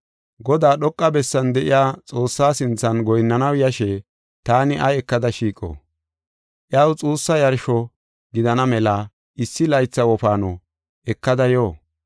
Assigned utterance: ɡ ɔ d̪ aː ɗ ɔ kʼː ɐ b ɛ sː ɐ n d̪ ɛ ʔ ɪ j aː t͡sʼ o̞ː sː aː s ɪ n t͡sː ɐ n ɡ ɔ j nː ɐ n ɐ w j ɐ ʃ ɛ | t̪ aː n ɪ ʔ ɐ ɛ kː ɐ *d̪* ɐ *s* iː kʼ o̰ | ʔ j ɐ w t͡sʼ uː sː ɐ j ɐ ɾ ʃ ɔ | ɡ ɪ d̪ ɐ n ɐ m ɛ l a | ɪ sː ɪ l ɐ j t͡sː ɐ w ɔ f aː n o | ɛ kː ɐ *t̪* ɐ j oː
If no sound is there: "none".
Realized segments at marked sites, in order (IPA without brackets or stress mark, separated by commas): d̪, ʃ, d̪